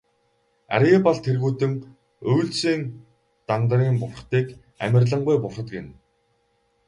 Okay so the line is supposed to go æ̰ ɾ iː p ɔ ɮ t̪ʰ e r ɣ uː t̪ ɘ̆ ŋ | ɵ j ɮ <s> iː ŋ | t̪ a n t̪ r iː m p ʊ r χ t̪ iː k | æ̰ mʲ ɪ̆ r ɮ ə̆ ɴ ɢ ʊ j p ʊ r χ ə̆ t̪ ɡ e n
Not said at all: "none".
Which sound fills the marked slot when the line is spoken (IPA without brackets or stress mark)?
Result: s